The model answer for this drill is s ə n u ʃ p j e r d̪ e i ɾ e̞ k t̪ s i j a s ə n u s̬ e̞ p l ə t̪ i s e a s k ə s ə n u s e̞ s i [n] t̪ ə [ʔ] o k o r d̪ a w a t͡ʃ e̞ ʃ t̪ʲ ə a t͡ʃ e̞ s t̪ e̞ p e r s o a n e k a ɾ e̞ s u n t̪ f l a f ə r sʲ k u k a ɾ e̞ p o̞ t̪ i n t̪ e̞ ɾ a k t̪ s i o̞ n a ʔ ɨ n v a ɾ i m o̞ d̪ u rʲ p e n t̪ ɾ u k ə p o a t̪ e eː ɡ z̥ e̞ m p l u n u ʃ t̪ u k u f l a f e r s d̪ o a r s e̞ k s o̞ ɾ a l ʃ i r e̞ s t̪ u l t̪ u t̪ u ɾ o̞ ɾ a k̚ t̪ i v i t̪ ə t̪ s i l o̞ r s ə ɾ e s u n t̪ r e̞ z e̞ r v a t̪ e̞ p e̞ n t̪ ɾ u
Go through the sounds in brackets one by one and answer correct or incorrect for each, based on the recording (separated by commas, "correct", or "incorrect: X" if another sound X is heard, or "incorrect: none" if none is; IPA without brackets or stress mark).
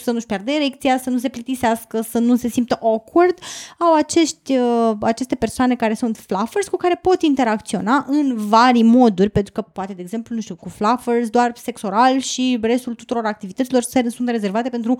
incorrect: m, correct